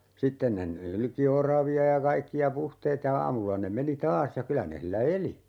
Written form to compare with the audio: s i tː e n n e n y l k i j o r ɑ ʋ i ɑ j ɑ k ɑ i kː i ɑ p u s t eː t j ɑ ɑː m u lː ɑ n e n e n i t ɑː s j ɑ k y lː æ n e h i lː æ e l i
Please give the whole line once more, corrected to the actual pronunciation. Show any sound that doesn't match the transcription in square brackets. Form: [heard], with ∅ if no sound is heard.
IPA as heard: s i tː e n n e n y l k i [∅] o r ɑ ʋ i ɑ j ɑ k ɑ i kː i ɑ p u [h] t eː t j ɑ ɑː m u lː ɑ n e [m] e n i t ɑː s j ɑ k y [l] æ n e h i lː æ e l i